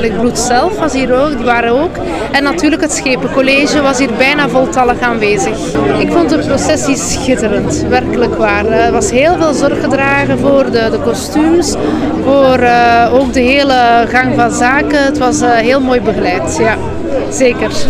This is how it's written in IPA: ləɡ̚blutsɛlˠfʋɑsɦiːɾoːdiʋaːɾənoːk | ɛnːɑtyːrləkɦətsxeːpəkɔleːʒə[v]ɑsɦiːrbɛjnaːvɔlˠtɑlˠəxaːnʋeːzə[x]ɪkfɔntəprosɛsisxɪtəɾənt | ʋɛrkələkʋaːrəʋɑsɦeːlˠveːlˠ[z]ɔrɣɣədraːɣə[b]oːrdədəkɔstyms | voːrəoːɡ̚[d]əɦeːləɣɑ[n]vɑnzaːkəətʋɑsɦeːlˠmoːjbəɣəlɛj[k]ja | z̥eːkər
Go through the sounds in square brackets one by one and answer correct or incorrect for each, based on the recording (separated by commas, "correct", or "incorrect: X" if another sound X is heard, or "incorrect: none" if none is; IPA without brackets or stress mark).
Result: incorrect: ʋ, correct, correct, incorrect: v, correct, incorrect: ŋ, incorrect: t